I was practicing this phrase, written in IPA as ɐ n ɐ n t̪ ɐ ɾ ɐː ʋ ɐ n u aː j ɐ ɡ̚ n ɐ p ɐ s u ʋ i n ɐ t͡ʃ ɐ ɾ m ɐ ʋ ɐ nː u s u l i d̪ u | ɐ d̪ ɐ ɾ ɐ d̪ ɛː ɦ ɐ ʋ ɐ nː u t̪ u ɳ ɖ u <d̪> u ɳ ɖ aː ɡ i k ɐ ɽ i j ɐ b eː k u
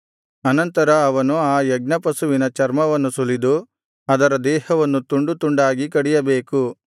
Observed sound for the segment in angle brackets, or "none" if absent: t̪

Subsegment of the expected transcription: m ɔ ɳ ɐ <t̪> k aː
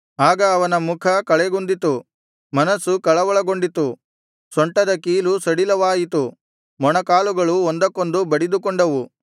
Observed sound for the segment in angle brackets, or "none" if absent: none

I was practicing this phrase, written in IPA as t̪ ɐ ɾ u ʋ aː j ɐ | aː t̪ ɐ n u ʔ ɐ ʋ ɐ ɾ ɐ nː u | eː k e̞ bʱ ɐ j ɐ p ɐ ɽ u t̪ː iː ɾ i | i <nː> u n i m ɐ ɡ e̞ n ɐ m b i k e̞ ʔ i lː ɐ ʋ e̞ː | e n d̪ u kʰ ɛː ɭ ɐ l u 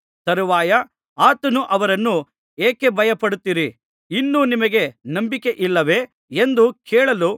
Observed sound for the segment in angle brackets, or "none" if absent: nː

